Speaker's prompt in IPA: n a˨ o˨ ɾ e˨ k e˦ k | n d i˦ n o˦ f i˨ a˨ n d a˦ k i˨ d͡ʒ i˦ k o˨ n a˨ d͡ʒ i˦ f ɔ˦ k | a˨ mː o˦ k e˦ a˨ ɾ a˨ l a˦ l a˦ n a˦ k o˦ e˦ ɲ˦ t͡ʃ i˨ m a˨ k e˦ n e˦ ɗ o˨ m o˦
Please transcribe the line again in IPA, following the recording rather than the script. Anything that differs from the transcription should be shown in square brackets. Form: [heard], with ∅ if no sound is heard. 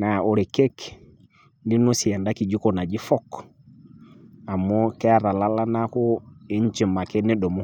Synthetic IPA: n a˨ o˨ ɾ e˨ k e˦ k | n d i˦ n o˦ [s] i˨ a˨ n d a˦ k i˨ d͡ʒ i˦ k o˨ n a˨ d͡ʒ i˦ f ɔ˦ k | a˨ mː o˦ k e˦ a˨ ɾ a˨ l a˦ l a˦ n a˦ k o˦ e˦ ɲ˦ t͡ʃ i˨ m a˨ k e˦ n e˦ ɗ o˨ m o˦